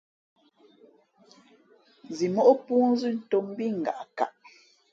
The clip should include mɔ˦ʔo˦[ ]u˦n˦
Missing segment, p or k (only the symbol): p